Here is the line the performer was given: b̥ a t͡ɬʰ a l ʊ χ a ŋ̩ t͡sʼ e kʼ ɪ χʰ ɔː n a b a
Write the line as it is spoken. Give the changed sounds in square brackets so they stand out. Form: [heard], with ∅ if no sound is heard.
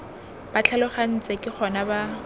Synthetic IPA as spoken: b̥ a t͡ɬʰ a l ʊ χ a [n̩] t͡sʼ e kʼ ɪ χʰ [ɔ] n a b a